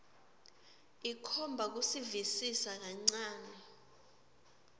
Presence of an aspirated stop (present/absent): present